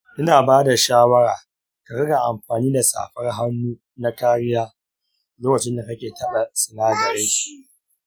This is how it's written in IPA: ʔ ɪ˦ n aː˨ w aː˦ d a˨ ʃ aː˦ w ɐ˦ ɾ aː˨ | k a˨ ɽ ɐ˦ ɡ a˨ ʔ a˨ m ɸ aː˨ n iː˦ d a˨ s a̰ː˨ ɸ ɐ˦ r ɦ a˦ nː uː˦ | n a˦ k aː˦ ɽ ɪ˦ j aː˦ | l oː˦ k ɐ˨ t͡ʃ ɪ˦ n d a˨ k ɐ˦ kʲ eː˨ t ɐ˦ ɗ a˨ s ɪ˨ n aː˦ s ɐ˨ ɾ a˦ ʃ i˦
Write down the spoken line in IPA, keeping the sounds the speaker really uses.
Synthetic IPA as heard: ʔ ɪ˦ n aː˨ b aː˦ d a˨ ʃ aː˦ w ɐ˦ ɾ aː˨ | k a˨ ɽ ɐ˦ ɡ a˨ ʔ a˨ m ɸ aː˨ n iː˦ d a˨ s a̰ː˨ ɸ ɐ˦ r ɦ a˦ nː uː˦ | n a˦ k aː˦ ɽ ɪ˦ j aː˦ | l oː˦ k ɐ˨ t͡ʃ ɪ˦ n d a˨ k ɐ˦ kʲ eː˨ t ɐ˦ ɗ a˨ s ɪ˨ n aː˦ z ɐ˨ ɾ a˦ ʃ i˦